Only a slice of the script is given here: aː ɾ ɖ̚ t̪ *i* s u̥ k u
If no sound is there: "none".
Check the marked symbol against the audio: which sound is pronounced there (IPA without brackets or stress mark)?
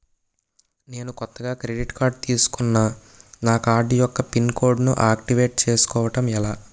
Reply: iː